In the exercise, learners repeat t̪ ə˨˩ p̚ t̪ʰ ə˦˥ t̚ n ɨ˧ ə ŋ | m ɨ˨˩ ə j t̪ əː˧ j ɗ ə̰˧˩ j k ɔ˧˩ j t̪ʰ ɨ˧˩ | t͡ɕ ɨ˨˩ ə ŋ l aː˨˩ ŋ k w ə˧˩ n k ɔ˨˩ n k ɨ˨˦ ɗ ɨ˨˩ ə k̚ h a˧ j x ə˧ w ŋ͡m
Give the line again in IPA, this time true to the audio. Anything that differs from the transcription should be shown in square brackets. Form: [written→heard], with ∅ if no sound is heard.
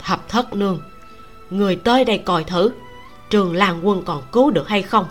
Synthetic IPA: [t̪→t̪ʰ] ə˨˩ p̚ t̪ʰ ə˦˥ t̚ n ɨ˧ ə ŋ | [m→ŋ] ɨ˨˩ ə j t̪ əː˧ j ɗ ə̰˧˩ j k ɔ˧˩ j t̪ʰ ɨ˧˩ | t͡ɕ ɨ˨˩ ə ŋ l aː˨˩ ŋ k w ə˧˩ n k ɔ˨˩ n k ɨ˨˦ ɗ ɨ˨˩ ə k̚ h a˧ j x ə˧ w ŋ͡m